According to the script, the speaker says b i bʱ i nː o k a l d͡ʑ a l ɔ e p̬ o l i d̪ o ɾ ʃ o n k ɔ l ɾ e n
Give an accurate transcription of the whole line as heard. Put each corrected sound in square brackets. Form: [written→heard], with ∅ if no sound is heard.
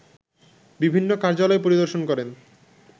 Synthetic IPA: b i bʱ i nː o k a [l→ɾ] d͡ʑ a l ɔ e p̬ o [l→ɾ] i d̪ o ɾ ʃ o n k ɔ [l→∅] ɾ e n